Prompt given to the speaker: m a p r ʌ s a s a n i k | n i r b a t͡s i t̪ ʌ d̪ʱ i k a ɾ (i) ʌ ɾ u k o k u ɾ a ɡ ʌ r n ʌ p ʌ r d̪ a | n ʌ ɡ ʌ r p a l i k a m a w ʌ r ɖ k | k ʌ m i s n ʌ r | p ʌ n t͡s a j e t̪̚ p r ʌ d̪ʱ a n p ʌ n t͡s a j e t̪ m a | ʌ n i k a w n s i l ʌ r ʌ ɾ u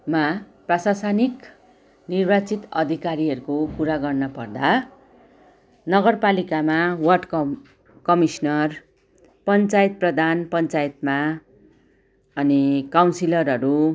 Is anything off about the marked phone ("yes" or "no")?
no